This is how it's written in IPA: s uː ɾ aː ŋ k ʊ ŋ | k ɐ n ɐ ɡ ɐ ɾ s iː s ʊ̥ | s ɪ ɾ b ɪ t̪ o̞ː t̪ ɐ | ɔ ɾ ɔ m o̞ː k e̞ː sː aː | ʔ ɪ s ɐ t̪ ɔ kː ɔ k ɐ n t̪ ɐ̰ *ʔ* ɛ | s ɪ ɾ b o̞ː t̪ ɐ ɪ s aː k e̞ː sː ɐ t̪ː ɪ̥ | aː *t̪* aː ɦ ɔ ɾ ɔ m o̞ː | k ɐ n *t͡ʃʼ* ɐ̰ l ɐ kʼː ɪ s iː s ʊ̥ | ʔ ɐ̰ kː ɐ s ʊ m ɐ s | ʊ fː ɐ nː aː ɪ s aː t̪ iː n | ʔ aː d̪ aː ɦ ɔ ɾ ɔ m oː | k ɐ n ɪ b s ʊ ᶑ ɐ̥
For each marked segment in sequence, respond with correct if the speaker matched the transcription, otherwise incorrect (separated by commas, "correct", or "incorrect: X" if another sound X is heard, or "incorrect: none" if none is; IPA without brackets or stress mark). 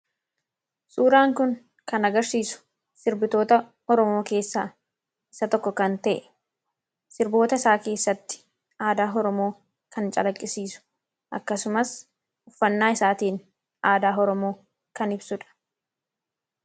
correct, incorrect: d̪, correct